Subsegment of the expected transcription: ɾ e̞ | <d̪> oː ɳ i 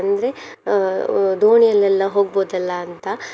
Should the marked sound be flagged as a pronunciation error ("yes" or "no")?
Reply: no